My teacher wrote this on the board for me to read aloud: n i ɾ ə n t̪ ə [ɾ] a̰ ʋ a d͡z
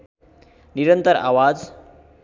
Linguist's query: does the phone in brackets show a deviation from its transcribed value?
no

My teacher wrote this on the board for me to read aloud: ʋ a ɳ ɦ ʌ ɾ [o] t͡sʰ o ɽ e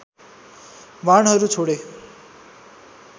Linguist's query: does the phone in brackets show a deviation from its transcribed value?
yes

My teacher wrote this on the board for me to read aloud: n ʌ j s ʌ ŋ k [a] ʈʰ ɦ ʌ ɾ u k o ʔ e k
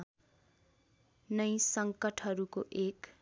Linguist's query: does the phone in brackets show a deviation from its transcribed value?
yes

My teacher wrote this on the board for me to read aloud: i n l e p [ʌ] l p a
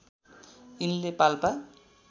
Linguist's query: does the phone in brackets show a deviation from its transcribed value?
yes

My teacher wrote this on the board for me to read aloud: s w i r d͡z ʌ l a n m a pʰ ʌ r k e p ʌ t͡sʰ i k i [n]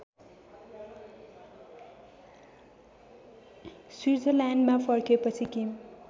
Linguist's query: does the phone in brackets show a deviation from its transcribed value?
yes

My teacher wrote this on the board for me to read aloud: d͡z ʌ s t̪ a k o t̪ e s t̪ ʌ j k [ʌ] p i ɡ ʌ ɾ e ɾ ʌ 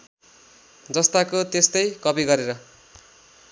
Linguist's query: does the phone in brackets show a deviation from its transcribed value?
no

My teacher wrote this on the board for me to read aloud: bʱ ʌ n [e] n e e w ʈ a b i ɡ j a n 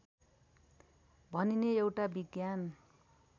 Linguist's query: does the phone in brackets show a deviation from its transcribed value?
yes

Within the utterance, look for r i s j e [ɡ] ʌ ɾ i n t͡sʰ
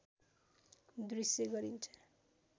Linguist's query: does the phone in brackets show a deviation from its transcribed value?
no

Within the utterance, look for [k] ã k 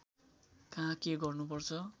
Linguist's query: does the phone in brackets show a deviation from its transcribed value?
no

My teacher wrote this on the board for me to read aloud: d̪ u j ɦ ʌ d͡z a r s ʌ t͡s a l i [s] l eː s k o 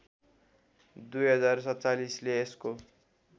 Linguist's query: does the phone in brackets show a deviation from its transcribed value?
no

